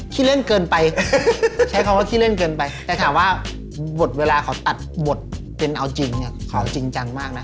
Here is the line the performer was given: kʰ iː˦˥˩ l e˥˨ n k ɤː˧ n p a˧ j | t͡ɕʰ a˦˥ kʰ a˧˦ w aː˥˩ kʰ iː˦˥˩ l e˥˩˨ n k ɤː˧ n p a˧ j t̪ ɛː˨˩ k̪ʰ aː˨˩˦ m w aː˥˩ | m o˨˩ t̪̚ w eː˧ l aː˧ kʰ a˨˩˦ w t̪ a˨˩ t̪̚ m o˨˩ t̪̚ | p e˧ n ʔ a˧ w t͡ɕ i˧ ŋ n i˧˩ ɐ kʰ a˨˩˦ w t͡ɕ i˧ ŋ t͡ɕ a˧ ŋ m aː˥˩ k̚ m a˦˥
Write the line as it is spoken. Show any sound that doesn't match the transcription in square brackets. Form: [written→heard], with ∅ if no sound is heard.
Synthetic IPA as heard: kʰ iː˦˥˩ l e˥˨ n k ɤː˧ n p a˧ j | t͡ɕʰ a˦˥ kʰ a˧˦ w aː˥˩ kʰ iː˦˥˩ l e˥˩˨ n k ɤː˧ n p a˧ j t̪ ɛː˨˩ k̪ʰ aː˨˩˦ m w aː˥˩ | [m→b] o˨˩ t̪̚ w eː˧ l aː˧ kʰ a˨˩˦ w t̪ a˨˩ t̪̚ [m→b] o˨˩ t̪̚ | p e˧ n ʔ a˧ w t͡ɕ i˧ ŋ n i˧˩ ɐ kʰ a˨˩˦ w t͡ɕ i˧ ŋ t͡ɕ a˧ ŋ m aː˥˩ k̚ [m→n] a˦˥